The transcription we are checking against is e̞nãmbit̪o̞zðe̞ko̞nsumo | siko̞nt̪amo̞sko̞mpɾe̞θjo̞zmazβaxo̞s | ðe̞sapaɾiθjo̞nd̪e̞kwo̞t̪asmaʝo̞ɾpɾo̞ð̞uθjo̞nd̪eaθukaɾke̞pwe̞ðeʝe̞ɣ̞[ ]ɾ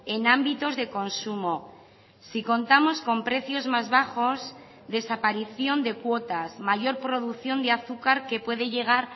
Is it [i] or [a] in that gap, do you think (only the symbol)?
a